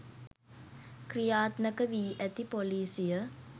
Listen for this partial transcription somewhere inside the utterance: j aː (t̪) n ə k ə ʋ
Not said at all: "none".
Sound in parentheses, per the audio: t̪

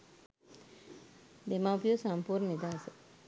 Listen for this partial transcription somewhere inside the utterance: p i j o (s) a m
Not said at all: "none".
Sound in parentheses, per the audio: s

